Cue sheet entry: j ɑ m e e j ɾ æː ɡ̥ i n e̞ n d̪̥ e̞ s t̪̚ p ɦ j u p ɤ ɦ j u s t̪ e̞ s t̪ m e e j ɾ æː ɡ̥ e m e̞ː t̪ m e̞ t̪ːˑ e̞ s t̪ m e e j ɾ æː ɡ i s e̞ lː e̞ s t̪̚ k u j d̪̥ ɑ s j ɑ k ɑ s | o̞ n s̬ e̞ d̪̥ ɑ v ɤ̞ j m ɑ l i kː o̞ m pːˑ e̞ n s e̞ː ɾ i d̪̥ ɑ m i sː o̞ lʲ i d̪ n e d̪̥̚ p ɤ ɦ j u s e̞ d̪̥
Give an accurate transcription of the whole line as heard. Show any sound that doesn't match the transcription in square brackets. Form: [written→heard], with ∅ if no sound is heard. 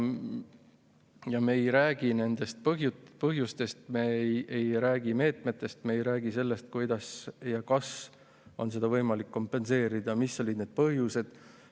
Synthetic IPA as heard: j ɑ m e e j ɾ æː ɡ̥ i n e̞ n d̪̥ e̞ s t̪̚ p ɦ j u p ɤ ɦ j u s t̪ e̞ s t̪ m e e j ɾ æː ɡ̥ [e→i] m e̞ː t̪ m e̞ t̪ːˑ e̞ s t̪ m e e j ɾ æː ɡ i s e̞ lː e̞ s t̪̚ k u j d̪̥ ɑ s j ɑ k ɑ s | o̞ n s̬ e̞ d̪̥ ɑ v ɤ̞ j m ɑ l i kː o̞ m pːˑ e̞ n s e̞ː ɾ i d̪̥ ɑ m i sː o̞ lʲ i d̪ n e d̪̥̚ p ɤ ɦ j u s e̞ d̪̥